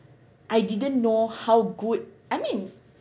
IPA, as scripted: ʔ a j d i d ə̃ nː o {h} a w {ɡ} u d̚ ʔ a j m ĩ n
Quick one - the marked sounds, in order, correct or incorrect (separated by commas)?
correct, correct